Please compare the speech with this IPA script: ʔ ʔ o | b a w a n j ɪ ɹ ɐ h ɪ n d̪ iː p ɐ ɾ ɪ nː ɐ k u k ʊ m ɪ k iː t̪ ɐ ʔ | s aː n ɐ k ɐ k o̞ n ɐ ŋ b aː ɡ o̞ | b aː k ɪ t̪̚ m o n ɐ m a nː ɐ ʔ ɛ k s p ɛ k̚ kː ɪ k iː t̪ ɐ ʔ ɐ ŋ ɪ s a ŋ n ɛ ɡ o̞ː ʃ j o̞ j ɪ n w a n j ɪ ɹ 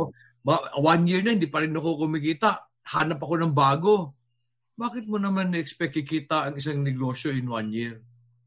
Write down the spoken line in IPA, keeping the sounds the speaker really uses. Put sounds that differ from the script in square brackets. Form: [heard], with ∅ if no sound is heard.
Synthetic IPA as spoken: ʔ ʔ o | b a w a n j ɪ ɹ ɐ h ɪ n d̪ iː p ɐ ɾ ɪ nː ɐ k [o] k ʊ m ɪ k iː t̪ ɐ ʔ | [h] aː n ɐ [p] ɐ k o̞ n ɐ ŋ b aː ɡ o̞ | b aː k ɪ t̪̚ m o n ɐ m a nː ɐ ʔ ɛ k s p ɛ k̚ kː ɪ k iː t̪ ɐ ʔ ɐ ŋ ɪ s a ŋ n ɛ ɡ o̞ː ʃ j o̞ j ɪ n w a n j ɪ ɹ